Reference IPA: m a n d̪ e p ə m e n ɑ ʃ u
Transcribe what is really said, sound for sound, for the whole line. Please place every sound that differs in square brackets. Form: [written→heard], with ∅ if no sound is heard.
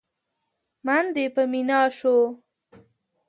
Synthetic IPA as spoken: m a n d̪ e p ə m [e→i] n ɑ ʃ [u→o]